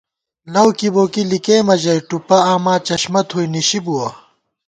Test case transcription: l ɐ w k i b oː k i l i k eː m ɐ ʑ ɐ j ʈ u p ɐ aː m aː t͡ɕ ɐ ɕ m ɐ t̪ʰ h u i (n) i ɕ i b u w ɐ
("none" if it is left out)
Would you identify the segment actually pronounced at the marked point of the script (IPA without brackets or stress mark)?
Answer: n